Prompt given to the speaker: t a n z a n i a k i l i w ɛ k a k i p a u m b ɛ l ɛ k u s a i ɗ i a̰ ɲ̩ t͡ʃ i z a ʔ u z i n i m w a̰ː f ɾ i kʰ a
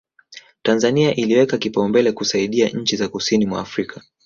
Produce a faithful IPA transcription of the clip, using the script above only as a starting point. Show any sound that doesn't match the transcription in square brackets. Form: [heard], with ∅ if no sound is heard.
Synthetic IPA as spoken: t a n z a n i a [ʔ] i l i w ɛ k a k i p a u m b ɛ l ɛ k u s a i ɗ i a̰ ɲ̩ t͡ʃ i z a [k] u [s] i n i m w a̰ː f ɾ i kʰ a